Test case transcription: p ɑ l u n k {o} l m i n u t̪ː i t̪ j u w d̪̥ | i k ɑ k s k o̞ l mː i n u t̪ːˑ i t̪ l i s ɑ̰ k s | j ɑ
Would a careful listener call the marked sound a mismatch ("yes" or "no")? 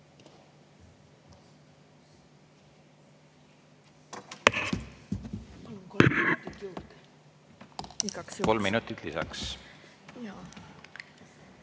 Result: no